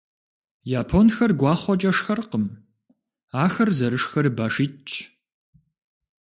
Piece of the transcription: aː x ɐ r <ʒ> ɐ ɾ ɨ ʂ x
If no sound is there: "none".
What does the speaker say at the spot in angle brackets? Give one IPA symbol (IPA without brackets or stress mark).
z